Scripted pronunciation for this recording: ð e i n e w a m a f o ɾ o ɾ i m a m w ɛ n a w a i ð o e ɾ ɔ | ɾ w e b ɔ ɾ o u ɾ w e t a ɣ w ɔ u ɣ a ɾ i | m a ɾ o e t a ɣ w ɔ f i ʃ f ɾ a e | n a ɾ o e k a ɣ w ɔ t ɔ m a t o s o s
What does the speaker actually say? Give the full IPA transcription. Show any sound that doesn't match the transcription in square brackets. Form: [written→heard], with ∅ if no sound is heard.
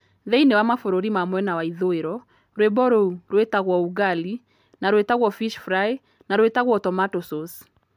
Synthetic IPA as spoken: ð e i n e w a m a f o ɾ o ɾ i m a m w ɛ n a w a i ð o e ɾ ɔ | ɾ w e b ɔ ɾ o u ɾ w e t a ɣ w ɔ u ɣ a [ɾ→l] i | [m→n] a ɾ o e t a ɣ w ɔ f i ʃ f ɾ a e | n a ɾ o e [k→t] a ɣ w ɔ t ɔ m a t o s o s